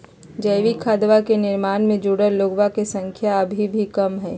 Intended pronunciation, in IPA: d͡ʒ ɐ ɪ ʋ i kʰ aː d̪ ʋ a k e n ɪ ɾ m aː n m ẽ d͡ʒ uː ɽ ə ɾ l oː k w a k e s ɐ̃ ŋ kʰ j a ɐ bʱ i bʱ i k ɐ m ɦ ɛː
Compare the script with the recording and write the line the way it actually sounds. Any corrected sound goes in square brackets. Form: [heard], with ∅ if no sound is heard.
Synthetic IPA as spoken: d͡ʒ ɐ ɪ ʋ i kʰ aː d̪ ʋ a k e n ɪ ɾ m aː n m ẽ d͡ʒ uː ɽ ə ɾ l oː [ɡ] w a k e s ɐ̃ ŋ kʰ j a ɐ bʱ i bʱ i k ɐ m ɦ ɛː